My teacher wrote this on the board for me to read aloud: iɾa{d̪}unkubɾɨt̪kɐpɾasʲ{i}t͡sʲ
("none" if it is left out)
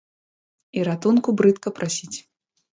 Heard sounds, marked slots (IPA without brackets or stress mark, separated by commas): t̪, i